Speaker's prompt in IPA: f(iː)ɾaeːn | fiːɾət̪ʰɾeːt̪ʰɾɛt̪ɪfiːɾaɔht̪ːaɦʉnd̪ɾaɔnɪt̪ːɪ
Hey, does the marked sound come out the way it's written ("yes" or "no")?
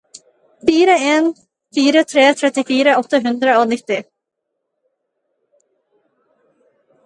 yes